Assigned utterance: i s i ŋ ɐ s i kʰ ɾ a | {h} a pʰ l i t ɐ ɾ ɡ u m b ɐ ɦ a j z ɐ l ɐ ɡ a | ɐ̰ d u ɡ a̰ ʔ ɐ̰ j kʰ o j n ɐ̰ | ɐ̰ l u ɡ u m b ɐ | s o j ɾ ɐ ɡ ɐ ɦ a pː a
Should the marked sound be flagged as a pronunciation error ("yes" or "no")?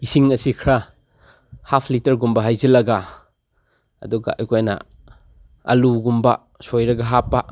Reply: no